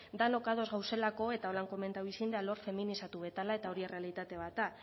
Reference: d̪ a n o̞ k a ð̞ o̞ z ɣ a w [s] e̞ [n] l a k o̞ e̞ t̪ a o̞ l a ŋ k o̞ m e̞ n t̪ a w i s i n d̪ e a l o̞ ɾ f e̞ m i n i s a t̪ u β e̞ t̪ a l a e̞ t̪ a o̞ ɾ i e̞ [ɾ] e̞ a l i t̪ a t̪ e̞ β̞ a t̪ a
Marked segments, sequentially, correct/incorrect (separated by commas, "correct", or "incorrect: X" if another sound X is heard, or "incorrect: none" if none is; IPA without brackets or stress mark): correct, incorrect: none, incorrect: r